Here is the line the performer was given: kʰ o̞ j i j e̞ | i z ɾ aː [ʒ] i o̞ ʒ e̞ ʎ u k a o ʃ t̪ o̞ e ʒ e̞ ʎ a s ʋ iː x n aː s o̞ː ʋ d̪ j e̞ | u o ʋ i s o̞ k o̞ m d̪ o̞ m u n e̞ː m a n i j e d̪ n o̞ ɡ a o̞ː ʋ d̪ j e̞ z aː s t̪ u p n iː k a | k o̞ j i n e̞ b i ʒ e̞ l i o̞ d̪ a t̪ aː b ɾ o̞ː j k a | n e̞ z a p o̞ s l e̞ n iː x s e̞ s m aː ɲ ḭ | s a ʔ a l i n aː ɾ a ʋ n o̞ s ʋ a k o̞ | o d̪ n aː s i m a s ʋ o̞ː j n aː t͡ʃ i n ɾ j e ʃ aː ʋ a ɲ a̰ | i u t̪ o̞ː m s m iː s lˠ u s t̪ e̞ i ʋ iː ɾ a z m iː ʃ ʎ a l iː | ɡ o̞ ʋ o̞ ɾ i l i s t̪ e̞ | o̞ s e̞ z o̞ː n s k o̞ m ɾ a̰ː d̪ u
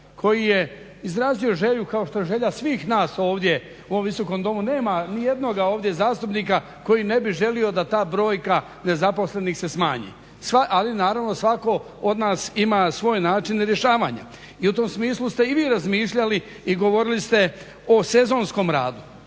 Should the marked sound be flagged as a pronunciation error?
yes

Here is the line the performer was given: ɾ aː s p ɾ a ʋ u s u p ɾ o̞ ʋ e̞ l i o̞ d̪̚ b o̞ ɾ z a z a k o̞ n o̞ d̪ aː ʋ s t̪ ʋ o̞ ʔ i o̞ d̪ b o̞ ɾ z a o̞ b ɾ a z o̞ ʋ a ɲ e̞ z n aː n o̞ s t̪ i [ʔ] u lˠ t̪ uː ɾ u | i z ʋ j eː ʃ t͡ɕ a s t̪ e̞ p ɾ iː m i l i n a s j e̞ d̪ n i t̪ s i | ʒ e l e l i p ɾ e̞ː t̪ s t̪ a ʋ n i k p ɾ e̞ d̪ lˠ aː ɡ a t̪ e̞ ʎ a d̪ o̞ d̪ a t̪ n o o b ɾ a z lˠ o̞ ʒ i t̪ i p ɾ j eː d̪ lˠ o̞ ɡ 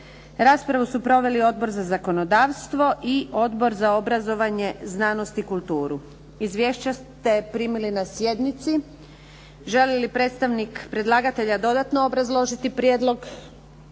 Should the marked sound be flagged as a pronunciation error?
yes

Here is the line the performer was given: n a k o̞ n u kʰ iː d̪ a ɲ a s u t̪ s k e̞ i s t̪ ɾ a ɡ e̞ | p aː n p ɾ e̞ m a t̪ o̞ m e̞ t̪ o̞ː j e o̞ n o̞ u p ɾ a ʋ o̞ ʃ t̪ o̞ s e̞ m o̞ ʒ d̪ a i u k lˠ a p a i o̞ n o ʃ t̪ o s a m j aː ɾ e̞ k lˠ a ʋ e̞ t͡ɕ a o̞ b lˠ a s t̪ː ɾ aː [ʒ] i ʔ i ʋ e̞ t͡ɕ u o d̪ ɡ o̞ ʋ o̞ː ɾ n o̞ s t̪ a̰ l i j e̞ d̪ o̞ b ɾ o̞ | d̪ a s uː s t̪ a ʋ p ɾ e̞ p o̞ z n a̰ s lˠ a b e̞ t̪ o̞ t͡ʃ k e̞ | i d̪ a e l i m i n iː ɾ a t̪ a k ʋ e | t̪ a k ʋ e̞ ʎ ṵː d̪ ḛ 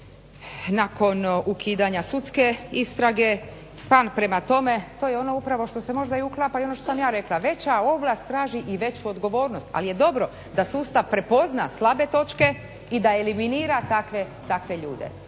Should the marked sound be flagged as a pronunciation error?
no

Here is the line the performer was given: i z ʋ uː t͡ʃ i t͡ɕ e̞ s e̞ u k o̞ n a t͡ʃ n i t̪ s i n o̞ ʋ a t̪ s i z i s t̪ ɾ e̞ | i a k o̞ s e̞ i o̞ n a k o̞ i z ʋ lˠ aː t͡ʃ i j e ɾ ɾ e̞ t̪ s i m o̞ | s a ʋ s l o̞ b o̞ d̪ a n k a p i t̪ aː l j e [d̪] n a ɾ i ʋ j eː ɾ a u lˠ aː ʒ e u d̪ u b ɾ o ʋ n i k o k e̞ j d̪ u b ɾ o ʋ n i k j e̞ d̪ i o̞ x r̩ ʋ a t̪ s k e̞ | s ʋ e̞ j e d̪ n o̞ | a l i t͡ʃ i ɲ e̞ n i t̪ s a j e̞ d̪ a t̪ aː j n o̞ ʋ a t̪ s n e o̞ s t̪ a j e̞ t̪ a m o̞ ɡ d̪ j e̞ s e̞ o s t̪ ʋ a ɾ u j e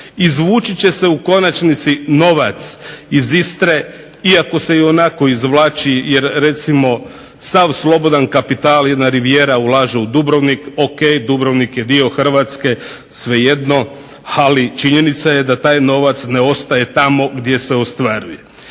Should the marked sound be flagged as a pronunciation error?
no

